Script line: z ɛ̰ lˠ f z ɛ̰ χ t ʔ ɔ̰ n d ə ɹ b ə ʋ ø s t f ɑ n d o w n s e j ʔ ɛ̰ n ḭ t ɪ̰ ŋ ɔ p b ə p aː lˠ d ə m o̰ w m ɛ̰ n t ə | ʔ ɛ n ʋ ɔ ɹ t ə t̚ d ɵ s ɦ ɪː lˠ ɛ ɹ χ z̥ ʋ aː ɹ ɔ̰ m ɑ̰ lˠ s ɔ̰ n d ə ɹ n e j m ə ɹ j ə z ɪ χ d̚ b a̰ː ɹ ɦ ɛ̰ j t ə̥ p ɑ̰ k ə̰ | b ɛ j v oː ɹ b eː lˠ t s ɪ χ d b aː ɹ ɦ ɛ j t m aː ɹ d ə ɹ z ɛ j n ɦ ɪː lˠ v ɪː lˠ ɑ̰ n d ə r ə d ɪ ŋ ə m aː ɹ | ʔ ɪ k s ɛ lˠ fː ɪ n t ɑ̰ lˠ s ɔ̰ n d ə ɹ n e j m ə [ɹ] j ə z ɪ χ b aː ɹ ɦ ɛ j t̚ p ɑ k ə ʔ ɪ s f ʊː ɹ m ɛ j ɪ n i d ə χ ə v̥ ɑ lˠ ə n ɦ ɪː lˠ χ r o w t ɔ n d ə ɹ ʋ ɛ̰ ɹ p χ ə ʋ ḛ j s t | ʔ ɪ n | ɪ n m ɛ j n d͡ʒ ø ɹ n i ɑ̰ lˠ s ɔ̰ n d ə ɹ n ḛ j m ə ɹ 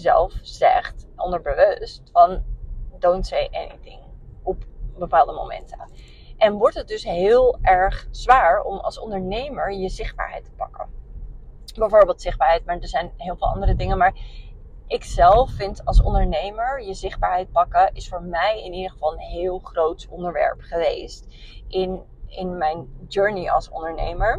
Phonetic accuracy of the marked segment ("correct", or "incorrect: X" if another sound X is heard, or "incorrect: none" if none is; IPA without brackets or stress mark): correct